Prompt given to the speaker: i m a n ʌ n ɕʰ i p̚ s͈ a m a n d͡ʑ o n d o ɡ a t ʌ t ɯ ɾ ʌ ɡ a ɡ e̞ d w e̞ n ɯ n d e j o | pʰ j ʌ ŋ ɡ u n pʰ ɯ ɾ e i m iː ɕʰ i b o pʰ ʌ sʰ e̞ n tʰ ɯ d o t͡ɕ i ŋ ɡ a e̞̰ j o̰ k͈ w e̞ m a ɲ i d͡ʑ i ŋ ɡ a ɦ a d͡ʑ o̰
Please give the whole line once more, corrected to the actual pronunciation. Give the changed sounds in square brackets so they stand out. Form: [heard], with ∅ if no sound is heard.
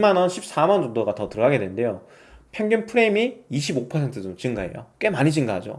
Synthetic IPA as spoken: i m a n ʌ n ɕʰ i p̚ s͈ a m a n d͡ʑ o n d o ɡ a t ʌ t ɯ ɾ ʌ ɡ a ɡ e̞ d w e̞ n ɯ n d e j o | pʰ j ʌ ŋ ɡ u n pʰ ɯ ɾ e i m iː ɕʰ i b o pʰ ʌ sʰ e̞ n tʰ ɯ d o t͡ɕ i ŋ ɡ a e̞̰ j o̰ k͈ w e̞ m a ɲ i d͡ʑ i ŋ ɡ a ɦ a d͡ʑ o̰

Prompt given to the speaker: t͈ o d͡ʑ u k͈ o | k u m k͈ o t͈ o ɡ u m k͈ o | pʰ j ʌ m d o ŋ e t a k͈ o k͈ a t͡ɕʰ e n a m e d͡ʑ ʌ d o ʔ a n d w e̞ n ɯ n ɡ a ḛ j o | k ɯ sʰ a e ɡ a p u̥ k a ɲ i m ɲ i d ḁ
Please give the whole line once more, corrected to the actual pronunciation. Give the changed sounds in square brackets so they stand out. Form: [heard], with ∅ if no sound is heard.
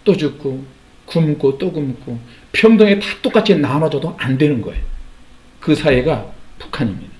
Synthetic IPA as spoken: t͈ o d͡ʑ u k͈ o | k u m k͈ o t͈ o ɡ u m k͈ o | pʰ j ʌ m d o ŋ e t a [t͈] o k͈ a t͡ɕʰ [i] n a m [a] d͡ʑ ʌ d o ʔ a n d w e̞ n ɯ n ɡ [ʌ] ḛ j o | k ɯ sʰ a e ɡ a p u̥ [kʰ] a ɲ i m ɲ i d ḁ

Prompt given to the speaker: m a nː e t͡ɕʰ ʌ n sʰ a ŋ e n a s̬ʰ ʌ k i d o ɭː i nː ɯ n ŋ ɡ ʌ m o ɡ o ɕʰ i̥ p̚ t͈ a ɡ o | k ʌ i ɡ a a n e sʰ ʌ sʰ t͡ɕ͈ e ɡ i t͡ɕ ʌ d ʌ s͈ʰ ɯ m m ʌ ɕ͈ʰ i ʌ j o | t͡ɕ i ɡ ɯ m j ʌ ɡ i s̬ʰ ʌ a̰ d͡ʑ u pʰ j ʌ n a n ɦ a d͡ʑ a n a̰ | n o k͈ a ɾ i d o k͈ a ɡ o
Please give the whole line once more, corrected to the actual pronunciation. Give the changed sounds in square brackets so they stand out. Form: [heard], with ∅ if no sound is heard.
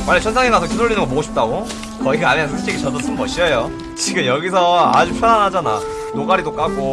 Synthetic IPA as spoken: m a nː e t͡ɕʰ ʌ n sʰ a ŋ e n a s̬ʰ ʌ k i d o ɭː i [n] ɯ n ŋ ɡ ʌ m o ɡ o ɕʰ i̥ p̚ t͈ a ɡ o | k ʌ i ɡ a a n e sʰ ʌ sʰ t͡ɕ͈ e ɡ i t͡ɕ ʌ d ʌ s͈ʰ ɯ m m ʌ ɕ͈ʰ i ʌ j o | t͡ɕ i ɡ ɯ m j ʌ ɡ i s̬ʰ ʌ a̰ d͡ʑ u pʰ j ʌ n a n ɦ a d͡ʑ a n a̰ | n o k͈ a ɾ i d o k͈ a ɡ o

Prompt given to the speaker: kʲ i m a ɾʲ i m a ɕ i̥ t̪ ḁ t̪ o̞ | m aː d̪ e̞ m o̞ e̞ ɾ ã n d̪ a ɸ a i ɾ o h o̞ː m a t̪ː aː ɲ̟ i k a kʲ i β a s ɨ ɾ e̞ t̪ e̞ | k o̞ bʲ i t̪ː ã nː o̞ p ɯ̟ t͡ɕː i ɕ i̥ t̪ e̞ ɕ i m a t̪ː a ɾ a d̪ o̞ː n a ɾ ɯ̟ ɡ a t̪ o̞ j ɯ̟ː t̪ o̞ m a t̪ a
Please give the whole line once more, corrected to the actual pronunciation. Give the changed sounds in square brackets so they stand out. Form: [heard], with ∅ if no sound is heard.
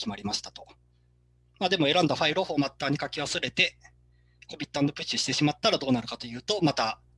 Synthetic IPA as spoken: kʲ i m a ɾʲ i m a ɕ i̥ t̪ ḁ t̪ o̞ | m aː d̪ e̞ m o̞ e̞ ɾ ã n d̪ a ɸ a i ɾ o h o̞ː m a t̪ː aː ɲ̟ i k a kʲ i β a s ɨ ɾ e̞ t̪ e̞ | k o̞ bʲ i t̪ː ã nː o̞ p ɯ̟ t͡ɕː i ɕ i̥ t̪ e̞ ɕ i m a t̪ː a ɾ a d̪ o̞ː n a ɾ ɯ̟ [k] a t̪ o̞ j ɯ̟ː t̪ o̞ m a t̪ a

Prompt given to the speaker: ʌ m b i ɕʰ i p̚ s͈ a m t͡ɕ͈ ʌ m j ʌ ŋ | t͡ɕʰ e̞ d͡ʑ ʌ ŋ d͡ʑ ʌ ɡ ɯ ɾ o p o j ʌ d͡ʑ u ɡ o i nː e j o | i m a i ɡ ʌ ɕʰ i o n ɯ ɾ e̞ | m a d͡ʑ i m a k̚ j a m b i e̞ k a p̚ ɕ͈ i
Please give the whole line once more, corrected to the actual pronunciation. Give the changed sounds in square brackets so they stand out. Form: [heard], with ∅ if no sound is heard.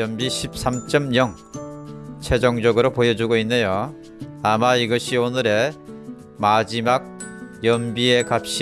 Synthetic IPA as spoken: ʌ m b i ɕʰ i p̚ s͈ a m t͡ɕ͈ ʌ m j ʌ ŋ | t͡ɕʰ e̞ d͡ʑ ʌ ŋ d͡ʑ ʌ ɡ ɯ ɾ o p o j ʌ d͡ʑ u ɡ o i nː e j o | [a] m a i ɡ ʌ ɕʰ i o n ɯ ɾ e̞ | m a d͡ʑ i m a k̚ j [ʌ] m b i e̞ k a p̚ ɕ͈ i

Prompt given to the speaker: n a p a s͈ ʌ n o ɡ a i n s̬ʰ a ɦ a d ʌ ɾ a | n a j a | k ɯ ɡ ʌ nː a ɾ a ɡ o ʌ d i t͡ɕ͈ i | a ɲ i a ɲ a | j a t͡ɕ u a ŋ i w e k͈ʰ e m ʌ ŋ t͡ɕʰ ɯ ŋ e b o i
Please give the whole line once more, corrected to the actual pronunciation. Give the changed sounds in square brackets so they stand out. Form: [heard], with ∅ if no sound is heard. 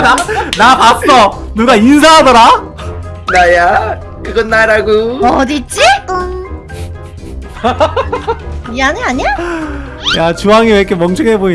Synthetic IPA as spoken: n a p a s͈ ʌ n [u] ɡ a i n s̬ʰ a ɦ a d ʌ ɾ a | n a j a | k ɯ ɡ ʌ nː a ɾ a ɡ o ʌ d i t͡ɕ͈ i | a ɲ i a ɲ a | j a t͡ɕ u a ŋ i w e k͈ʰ e m ʌ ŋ t͡ɕʰ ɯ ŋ e b o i

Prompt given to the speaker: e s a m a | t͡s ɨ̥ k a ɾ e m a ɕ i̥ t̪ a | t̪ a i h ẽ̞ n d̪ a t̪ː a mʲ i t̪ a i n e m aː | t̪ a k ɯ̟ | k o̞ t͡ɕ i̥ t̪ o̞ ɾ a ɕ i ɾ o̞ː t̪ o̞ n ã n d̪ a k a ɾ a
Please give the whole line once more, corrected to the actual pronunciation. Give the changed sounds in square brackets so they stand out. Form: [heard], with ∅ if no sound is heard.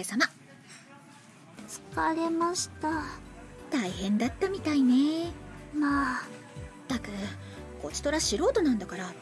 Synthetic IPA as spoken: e s a m a | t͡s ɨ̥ k a ɾ e m a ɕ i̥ t̪ a | t̪ a i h ẽ̞ n d̪ a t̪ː a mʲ i t̪ a i n e m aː | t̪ a k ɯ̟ | k o̞ t͡ɕ i̥ t̪ o̞ ɾ a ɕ i ɾ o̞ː t̪ o̞ n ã n d̪ a k a ɾ a

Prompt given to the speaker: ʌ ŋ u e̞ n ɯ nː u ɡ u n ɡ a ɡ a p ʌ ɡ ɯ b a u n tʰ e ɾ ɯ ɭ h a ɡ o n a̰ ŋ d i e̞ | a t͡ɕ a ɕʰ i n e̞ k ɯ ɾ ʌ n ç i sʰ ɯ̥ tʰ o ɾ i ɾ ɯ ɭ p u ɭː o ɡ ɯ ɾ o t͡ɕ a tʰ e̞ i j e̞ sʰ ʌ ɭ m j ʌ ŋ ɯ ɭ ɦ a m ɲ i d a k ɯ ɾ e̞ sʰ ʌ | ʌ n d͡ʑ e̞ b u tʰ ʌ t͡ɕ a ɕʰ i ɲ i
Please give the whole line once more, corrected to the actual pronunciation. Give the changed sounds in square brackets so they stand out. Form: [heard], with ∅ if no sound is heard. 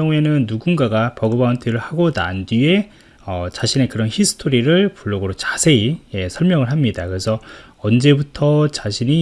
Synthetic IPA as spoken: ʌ ŋ u e̞ n ɯ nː u ɡ u n ɡ a ɡ a p ʌ ɡ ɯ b a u n tʰ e ɾ ɯ ɭ h a ɡ o n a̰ [n] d i e̞ | [ʌ] t͡ɕ a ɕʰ i n e̞ k ɯ ɾ ʌ n ç i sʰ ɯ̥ tʰ o ɾ i ɾ ɯ ɭ p u ɭː o ɡ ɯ ɾ o t͡ɕ a [sʰ] e̞ i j e̞ sʰ ʌ ɭ m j ʌ ŋ ɯ ɭ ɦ a m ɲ i d a k ɯ ɾ e̞ sʰ ʌ | ʌ n d͡ʑ e̞ b u tʰ ʌ t͡ɕ a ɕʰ i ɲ i

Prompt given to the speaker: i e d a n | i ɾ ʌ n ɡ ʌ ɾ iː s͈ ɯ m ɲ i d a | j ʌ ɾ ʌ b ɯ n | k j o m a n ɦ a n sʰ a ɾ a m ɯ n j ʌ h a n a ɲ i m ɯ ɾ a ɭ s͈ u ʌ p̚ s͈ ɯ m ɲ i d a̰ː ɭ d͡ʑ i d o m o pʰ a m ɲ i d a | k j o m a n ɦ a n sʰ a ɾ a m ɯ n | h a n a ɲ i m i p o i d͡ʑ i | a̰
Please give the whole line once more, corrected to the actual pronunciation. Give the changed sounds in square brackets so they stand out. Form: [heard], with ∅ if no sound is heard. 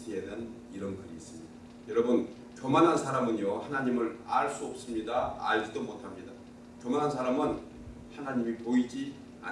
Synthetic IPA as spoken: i e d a n | i ɾ ʌ n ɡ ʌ ɾ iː s͈ ɯ m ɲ i d a | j ʌ ɾ ʌ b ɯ n | k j o m a n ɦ a n sʰ a ɾ a m ɯ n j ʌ h a n a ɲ i m ɯ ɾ a ɭ s͈ u ʌ p̚ s͈ ɯ m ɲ i d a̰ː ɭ d͡ʑ i d o m o [tʰ] a m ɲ i d a | k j o m a n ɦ a n sʰ a ɾ a m ɯ n | h a n a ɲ i m i p o i d͡ʑ i | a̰

